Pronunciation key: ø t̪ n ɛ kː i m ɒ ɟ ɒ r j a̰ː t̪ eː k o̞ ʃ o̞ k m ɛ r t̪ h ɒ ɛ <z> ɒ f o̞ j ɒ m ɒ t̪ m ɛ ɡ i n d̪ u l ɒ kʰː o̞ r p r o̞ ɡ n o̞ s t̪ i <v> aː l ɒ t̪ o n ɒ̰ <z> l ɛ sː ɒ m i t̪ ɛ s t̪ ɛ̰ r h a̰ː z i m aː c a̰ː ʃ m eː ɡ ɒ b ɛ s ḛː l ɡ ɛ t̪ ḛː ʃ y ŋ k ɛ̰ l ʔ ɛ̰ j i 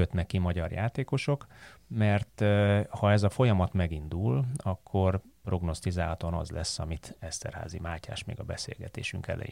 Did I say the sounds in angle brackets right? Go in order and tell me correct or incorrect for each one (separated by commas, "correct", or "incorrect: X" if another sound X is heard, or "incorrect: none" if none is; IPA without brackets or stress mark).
correct, incorrect: z, correct